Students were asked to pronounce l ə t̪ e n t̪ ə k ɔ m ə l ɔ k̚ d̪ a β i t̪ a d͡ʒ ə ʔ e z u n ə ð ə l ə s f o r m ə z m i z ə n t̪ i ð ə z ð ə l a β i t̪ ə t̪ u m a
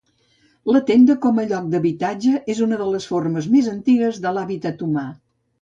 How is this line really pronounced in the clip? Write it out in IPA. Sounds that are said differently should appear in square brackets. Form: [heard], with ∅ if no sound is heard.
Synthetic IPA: l ə t̪ e n [d̪] ə k ɔ m ə [ʎ] ɔ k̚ d̪ [ə] β i t̪ a d͡ʒ ə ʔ e z u n ə ð ə l ə s f o r m ə z m [e] z ə n t̪ i [ɣ] ə z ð ə l a β i t̪ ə t̪ u m a